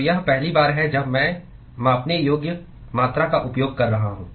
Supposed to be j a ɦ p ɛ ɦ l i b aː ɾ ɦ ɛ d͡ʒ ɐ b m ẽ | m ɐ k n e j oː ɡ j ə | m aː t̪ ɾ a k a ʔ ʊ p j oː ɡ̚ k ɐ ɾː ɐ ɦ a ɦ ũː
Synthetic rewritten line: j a ɦ p ɛ ɦ l i b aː ɾ ɦ ɛ d͡ʒ ɐ b m ɛ̃ | m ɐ p n e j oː ɡ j ə | m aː t̪ ɾ a k a ʔ ʊ p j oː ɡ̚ k ɐ ɾː ɐ ɦ a ɦ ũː